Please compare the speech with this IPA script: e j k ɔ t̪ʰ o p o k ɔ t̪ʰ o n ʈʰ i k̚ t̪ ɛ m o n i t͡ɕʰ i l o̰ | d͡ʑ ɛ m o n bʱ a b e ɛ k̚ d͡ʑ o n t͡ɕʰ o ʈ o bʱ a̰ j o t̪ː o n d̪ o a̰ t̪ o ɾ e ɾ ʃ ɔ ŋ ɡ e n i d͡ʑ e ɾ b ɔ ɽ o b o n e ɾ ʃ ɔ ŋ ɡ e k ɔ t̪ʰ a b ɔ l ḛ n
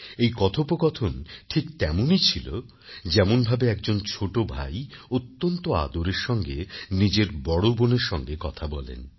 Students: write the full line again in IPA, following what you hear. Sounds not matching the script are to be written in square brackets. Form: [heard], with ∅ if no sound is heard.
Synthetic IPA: e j k ɔ t̪ʰ o p o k ɔ t̪ʰ o n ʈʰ i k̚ t̪ ɛ m o n i t͡ɕʰ i l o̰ | d͡ʑ ɛ m o n bʱ a b e ɛ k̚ d͡ʑ o n t͡ɕʰ o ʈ o bʱ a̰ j o t̪ː o n [t̪] o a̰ [d̪] o ɾ e ɾ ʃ ɔ ŋ ɡ e n i d͡ʑ e ɾ b ɔ ɽ o b o n e ɾ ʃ ɔ ŋ ɡ e k ɔ t̪ʰ a b ɔ l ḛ n